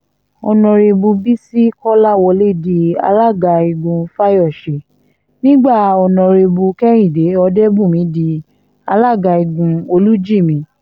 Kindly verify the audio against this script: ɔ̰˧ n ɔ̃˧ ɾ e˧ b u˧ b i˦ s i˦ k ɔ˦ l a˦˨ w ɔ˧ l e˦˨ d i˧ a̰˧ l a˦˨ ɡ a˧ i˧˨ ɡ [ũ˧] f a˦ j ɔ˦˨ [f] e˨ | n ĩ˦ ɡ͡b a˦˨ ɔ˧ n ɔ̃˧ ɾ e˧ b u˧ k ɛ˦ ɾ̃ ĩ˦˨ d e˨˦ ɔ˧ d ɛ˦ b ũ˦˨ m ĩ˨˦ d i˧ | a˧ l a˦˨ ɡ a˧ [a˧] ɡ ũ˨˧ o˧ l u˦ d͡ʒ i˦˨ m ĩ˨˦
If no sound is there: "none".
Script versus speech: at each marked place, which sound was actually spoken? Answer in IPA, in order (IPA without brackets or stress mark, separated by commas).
ũ˧, ʃ, i˧